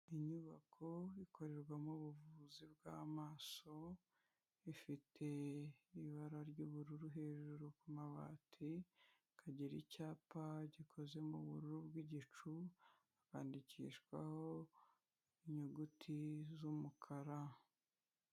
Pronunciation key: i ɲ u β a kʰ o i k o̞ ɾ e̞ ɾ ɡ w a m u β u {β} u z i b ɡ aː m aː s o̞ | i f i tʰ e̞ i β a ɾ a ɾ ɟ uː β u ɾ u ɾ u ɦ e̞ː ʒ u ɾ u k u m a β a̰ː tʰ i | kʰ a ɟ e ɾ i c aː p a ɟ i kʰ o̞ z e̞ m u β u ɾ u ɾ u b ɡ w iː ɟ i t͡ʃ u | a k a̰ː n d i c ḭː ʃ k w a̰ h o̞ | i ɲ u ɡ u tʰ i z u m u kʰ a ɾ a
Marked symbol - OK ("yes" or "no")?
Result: no